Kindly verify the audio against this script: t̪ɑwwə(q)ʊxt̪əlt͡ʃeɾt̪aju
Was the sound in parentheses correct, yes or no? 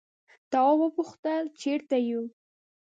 no